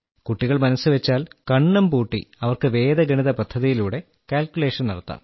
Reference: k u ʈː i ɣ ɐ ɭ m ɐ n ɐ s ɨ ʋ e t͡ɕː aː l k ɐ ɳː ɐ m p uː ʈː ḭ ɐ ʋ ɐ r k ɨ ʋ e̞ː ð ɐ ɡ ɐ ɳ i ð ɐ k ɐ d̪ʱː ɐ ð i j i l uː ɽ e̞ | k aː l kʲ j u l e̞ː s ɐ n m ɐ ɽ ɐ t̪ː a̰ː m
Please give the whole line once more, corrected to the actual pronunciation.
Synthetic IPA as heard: k u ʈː i ɣ ɐ ɭ m ɐ n ɐ s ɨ ʋ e t͡ɕː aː l k ɐ ɳː ɐ m p uː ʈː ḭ ɐ ʋ ɐ r k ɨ ʋ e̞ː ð ɐ ɡ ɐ ɳ i ð ɐ p ɐ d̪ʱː ɐ ð i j i l uː ɽ e̞ | k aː l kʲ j u l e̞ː ʂ ɐ n n ɐ ɽ ɐ t̪ː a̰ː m